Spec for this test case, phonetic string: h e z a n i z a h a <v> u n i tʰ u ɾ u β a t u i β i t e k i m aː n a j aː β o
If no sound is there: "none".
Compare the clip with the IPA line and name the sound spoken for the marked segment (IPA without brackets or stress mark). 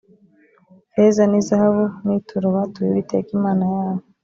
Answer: β